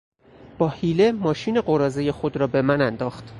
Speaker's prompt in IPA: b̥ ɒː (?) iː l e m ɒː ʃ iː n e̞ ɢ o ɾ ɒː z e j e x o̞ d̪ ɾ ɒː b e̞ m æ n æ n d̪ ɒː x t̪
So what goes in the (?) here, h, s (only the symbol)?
h